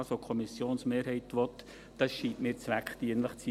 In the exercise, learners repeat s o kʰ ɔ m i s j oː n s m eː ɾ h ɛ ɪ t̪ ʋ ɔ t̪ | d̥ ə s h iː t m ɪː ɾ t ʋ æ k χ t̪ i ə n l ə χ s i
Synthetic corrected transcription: s o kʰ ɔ m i s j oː n s m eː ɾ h ɛ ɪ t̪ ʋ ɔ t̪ | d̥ ɑ s ʃ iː t m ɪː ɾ t͡s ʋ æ k χ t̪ i ə n l ə χ t͡s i

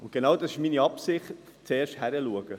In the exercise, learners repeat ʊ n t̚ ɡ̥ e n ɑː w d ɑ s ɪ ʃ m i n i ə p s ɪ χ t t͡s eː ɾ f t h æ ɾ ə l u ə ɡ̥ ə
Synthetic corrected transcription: ʊ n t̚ ɡ̥ e n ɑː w d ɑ s ɪ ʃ m i n i ɑ p s ɪ χ t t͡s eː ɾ ʃ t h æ ɾ ə l u ə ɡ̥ ə

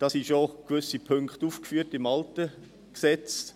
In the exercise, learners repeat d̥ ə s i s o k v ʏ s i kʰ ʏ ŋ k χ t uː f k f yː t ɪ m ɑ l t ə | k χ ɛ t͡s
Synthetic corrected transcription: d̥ ɑ s i ʃ o k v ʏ s i pʰ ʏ ŋ k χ t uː f k f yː t ɪ m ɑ l t ə | k s ɛ t͡s

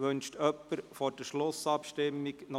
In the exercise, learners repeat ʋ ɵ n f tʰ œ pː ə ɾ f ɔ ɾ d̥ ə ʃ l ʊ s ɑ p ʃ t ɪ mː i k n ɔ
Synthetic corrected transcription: ʋ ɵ n ʃ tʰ œ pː ə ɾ f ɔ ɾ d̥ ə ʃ l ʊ s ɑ p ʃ t ɪ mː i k n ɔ

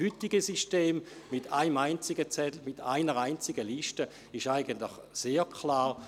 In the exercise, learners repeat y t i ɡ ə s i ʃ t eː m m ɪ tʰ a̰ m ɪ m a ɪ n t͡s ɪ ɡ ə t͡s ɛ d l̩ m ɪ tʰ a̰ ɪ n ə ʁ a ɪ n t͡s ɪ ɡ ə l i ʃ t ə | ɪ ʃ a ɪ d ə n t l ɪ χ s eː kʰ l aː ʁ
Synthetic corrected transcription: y t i ɡ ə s i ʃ t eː m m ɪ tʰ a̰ ɪ m a ɪ n t͡s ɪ ɡ ə t͡s ɛ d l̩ m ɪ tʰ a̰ ɪ n ə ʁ a ɪ n t͡s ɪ ɡ ə l i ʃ t ə | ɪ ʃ a ɪ ɡ ə n t l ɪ χ s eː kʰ l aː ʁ

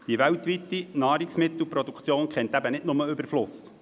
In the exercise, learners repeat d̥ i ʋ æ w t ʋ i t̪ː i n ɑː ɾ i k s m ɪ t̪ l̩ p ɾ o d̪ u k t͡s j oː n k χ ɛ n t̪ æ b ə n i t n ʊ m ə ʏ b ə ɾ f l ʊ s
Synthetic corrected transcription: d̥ i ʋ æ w t ʋ i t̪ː i n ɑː ɾ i k s m ɪ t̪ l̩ p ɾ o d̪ u k t͡s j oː n k χ ɛ n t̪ æ b ə n ɪ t n ʊ m ə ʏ b ə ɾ f l ʊ s

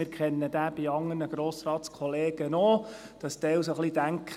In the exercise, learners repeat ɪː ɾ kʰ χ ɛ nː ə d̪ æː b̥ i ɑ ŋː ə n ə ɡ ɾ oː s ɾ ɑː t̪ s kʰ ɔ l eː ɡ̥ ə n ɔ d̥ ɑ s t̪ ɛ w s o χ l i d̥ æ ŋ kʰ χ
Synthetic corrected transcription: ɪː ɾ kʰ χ ɛ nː ə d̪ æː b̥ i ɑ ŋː ə n ə ɡ ɾ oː s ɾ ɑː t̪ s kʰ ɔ l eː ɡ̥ ə n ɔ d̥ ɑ s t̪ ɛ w s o χ l i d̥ æ ŋ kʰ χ

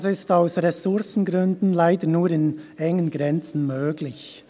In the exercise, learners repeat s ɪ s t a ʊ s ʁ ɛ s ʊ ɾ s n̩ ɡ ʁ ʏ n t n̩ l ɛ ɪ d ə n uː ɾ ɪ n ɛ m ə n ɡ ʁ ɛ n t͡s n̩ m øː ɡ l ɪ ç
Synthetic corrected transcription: s ɪ s t a ʊ s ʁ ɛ s ʊ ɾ s n̩ ɡ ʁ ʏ n d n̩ l a ɪ d ə n uː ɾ ɪ n ɛ ŋ ə n ɡ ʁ ɛ n t͡s n̩ m øː ɡ l ɪ ç

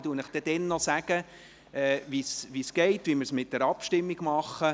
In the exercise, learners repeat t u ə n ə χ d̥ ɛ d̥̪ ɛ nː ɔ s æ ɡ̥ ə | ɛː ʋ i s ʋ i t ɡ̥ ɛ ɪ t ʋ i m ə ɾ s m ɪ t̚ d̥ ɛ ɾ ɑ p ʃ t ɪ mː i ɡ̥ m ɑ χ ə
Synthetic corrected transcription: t u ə n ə χ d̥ ɛ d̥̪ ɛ nː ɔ s æ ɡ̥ ə | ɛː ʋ i s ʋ i s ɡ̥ ɛ ɪ t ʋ i m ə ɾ s m ɪ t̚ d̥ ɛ ɾ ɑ p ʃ t ɪ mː i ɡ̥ m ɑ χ ə

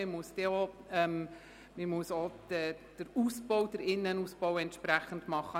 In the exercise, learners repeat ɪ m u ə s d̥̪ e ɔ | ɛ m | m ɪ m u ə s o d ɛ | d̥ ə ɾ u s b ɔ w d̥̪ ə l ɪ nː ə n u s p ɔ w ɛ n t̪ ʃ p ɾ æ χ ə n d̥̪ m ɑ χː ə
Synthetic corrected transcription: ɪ m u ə s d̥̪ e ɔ | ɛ m | m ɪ m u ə s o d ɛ | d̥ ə ɾ u s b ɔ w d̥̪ ə ɾ ɪ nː ə n u s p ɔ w ɛ n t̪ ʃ p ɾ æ χ ə n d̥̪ m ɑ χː ə

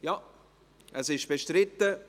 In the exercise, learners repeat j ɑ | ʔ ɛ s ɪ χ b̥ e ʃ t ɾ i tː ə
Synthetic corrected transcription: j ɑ | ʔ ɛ s ɪ ʃ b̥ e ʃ t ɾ ɪ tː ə

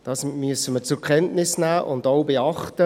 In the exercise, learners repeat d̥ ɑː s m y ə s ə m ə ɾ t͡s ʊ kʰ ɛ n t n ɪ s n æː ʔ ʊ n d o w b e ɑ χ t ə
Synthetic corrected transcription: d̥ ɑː s m y ə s ə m ə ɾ t͡s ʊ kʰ ɛ n t n ɪ s n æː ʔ ʊ n d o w b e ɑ χ t ə

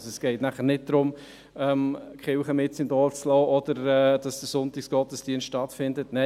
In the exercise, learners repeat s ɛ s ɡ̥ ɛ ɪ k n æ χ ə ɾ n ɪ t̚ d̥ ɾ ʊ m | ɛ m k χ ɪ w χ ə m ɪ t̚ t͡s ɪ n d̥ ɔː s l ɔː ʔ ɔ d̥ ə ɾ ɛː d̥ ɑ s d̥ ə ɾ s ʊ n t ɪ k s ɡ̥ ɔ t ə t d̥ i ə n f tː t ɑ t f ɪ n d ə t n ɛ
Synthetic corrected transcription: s ɛ s ɡ̥ ɛ ɪ t n æ χ ə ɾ n ɪ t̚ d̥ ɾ ʊ m | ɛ m k χ ɪ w χ ə m ɪ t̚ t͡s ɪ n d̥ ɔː t͡s l ɔː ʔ ɔ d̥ ə ɾ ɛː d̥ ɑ s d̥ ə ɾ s ʊ n t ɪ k s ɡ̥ ɔ t ə s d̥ i ə n s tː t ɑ t f ɪ n d ə t n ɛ

